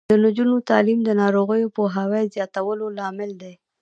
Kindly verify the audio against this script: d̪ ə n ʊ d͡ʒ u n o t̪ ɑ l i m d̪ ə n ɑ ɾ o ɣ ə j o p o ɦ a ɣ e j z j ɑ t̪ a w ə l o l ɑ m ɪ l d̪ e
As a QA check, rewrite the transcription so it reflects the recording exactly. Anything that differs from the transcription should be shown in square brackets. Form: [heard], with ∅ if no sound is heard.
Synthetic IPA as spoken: d̪ ə n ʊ d͡ʒ u n o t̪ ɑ l i m d̪ ə n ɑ ɾ o ɣ ə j o p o ɦ a [w] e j z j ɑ t̪ a w ə l o l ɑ m ɪ l d̪ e